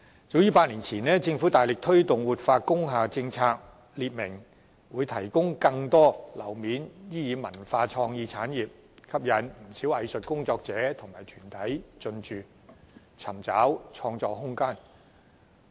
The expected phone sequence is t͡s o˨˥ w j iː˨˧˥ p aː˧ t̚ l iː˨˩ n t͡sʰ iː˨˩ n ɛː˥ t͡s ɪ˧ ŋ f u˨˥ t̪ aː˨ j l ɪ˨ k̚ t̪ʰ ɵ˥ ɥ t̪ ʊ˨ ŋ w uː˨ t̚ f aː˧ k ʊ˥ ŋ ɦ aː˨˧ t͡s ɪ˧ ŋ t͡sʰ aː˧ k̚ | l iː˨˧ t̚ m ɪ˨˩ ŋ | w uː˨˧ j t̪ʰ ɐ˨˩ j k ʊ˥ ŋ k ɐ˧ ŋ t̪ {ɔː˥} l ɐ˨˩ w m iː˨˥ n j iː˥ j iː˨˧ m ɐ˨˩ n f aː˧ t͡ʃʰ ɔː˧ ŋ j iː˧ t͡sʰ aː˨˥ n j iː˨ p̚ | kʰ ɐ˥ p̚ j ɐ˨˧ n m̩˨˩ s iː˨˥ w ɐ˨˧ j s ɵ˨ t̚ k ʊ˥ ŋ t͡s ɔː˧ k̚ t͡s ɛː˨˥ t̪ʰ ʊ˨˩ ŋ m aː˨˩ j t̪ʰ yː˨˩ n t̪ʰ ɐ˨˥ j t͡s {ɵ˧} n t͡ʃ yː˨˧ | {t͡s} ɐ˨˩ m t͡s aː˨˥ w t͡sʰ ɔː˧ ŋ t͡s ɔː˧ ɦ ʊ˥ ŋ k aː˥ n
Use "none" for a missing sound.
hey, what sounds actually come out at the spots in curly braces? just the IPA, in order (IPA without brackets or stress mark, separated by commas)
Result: ɔː˥, ɵ˧, t͡sʰ